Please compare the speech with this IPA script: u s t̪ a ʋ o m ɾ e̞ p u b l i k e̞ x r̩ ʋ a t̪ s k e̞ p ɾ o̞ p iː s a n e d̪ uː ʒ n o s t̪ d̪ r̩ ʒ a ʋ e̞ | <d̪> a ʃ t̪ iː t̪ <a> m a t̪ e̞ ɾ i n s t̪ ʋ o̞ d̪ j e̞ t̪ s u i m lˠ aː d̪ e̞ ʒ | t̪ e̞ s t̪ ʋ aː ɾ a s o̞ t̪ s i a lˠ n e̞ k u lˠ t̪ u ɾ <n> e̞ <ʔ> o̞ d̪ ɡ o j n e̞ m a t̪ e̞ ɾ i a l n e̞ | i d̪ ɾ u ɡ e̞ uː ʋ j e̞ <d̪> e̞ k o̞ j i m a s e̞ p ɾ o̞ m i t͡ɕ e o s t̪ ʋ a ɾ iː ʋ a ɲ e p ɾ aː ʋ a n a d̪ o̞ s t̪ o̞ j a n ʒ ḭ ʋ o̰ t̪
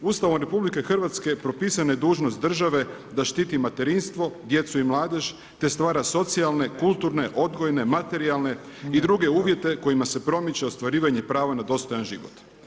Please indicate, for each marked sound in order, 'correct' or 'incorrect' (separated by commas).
correct, incorrect, correct, correct, incorrect